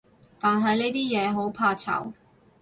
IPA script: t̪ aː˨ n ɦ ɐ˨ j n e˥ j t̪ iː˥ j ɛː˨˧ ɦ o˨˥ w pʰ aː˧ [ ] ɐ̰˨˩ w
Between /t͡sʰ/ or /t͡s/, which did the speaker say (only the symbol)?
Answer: t͡sʰ